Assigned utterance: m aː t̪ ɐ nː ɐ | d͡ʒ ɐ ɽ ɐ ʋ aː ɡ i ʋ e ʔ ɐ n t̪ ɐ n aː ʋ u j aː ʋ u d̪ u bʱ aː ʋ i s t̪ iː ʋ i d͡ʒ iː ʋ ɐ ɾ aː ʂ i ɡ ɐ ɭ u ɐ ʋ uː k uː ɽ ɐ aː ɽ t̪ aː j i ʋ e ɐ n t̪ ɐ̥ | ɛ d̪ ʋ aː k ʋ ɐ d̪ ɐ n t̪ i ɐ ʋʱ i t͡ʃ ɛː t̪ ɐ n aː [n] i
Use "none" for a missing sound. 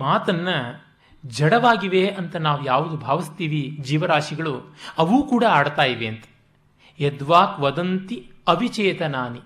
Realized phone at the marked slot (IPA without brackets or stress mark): n